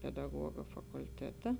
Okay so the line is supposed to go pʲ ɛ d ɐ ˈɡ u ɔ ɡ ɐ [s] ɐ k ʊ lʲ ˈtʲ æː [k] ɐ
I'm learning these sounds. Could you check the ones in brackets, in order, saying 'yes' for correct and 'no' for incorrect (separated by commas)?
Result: no, no